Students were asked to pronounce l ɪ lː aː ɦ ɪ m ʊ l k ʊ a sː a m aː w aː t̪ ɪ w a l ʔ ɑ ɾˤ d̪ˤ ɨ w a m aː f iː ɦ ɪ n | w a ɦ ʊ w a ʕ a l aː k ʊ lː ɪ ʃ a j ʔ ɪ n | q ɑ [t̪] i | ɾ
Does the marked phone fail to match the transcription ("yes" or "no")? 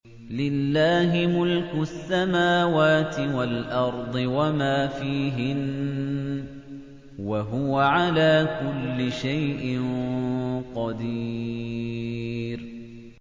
yes